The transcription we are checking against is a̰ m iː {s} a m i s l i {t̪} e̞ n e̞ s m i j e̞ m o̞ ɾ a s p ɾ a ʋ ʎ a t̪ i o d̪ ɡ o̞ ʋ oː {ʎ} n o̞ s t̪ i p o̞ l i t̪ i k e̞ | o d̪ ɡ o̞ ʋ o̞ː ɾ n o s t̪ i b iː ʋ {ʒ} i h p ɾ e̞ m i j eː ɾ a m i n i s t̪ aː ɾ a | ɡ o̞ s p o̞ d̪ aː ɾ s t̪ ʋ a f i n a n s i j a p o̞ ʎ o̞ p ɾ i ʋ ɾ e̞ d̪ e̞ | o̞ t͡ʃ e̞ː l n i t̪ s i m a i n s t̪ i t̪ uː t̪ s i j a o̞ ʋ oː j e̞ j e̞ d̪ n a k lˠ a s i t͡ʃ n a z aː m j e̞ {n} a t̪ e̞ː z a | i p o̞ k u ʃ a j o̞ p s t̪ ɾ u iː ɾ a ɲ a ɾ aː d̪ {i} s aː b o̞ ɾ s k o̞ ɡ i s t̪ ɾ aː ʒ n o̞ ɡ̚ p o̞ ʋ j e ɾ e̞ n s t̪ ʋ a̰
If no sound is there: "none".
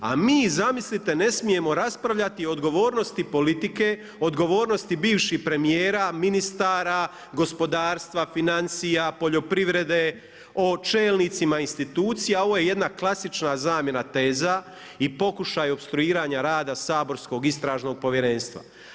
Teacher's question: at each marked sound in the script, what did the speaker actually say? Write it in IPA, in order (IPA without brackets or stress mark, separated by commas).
z, t̪, ɾ, ʃ, n, a